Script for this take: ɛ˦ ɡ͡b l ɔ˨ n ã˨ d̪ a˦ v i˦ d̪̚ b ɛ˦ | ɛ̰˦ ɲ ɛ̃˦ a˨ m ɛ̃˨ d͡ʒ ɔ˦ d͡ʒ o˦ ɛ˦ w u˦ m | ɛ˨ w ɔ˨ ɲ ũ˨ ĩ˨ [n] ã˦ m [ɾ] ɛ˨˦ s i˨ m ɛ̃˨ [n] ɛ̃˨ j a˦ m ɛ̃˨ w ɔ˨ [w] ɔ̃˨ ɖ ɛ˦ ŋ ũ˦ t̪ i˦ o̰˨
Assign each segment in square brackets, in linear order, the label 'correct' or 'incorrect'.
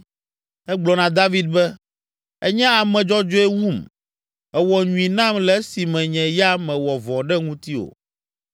correct, incorrect: l, incorrect: ɲ, incorrect: v

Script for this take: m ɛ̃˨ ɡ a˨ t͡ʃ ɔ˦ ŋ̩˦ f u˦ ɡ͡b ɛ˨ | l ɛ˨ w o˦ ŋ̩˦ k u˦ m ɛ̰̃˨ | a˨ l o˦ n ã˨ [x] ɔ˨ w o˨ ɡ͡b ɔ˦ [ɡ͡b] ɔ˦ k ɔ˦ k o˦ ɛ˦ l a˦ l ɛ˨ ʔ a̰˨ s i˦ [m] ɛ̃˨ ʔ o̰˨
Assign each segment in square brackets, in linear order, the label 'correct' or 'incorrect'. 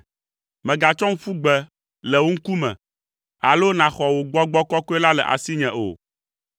correct, correct, incorrect: ɲ

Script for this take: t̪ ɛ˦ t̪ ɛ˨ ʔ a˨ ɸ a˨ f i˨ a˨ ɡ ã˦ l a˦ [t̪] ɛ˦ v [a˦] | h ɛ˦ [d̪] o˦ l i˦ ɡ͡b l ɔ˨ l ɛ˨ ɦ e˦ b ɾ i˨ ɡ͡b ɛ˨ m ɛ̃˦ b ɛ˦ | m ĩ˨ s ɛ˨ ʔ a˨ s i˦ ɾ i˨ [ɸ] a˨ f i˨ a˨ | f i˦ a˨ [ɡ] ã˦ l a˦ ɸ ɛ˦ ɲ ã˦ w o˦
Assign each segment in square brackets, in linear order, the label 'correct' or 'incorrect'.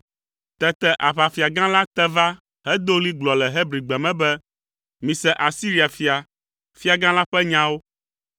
correct, correct, correct, incorrect: none, correct

